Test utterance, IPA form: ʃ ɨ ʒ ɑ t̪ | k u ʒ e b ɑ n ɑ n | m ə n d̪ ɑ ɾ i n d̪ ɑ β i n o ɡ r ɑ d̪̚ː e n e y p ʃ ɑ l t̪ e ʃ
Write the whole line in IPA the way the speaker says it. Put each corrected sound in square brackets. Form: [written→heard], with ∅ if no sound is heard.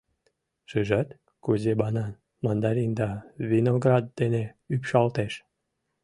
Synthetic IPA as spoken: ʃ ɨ ʒ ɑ t̪ | k u [ʒ→z] e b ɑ n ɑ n | m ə n d̪ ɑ ɾ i n d̪ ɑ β i n o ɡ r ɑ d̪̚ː e n e y p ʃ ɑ l t̪ e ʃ